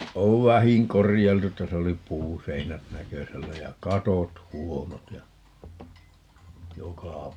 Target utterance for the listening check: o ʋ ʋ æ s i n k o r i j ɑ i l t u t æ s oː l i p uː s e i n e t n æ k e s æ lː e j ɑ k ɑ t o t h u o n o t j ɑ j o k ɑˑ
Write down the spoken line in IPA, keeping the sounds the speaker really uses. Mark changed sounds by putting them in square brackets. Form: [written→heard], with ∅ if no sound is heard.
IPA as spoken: o ʋ ʋ æ [s→h] i [n→ŋ] k o r i j ɑ i l t u t æ s [oː→o] l i p uː s e i n [e→æ] t n æ k [e→ø] s æ lː [e→æ] j ɑ k ɑ t o t h u o n o t j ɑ j o k ɑˑ

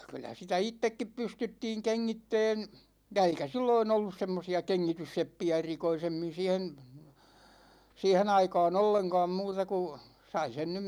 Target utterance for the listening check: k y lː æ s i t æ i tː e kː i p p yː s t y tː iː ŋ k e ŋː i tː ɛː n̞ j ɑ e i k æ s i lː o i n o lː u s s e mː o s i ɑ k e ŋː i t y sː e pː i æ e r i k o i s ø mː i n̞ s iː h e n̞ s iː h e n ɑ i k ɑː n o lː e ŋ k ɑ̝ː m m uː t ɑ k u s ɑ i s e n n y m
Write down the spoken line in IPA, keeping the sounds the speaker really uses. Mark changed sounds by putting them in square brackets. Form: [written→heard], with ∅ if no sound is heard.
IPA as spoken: k y lː æ s i t æ i tː e kː i p p [yː→y] s t y tː iː ŋ k e ŋː i tː ɛː n̞ j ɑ e i k æ s i lː o i n o lː u s s e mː o s i ɑ k e ŋː i t y sː e pː i æ e r i k o i s [ø→e] mː i n̞ s iː h e n̞ s iː h e n ɑ i k ɑː n o lː e ŋ k ɑ̝ː m m uː t ɑ k u s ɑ i s e n n y m

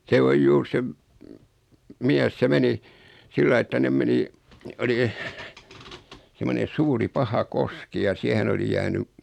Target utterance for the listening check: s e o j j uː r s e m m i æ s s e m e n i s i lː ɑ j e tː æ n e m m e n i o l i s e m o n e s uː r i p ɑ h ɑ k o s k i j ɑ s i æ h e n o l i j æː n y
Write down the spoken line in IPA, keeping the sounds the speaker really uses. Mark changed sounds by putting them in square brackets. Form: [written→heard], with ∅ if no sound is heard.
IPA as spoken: s e o j j uː r s e m m i æ s s e m e n i s i lː ɑ [j→i] e tː æ n e m m e n i o l i s e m o n e s uː r i p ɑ h ɑ k o s k i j ɑ s i æ h e n o l i j æː n y

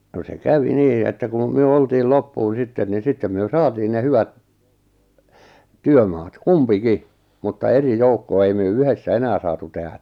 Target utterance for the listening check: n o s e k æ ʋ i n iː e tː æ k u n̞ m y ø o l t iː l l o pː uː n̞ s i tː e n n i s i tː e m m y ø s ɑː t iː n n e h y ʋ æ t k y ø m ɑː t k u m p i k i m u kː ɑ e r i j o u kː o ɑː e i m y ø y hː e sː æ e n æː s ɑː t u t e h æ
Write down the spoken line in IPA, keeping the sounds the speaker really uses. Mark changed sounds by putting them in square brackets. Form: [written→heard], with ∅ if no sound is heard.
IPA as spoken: n o s e k æ ʋ i n iː e tː æ k u n̞ m y ø o l t iː l l o pː uː n̞ s i tː e n n i s i tː e m m y ø s ɑː t iː n n e h y ʋ æ t [k→t] y ø m ɑː t k u m p i k i m u [kː→tː] ɑ e r i j o u kː o [ɑː→ɑ] e i m y ø y [hː→h] e sː æ e n æː s ɑː t u t e h æ

